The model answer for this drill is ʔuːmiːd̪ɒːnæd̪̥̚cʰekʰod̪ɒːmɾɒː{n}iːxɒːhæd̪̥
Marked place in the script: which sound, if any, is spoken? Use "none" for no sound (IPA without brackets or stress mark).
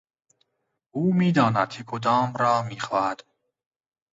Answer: m